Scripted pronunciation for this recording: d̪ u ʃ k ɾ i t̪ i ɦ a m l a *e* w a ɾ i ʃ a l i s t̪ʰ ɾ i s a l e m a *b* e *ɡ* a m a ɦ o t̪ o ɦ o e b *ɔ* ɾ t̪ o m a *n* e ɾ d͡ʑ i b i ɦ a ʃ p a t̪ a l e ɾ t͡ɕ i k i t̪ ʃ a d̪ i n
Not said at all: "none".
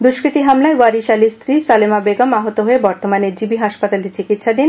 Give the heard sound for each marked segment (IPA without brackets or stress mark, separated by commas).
e, b, ɡ, ɔ, n